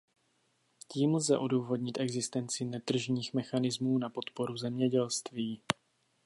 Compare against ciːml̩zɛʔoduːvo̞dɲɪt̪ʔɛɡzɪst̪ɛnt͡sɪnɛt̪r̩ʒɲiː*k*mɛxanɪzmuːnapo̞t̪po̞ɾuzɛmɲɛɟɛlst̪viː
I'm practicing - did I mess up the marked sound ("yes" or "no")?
yes